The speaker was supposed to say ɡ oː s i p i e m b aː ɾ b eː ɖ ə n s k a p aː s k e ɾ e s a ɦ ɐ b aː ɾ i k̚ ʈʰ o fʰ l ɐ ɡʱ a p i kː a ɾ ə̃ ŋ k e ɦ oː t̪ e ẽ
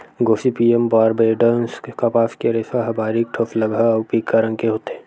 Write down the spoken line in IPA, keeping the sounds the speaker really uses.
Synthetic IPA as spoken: ɡ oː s i p i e m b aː ɾ b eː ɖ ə n s k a p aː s k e ɾ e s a ɦ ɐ b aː ɾ i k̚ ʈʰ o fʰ l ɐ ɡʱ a p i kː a ɾ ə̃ ŋ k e ɦ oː t̪ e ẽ